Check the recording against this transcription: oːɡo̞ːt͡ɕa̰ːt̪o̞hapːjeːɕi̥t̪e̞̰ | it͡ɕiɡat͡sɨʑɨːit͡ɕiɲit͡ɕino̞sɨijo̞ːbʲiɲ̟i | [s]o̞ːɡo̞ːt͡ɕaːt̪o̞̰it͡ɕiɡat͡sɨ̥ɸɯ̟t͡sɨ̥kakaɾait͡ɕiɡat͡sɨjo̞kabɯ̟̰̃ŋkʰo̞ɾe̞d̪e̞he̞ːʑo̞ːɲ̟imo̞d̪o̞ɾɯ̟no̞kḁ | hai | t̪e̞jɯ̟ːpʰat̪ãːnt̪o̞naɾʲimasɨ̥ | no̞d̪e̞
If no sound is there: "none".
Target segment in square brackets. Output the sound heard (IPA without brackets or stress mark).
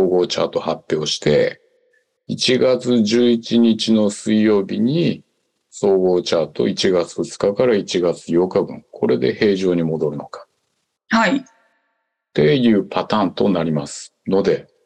s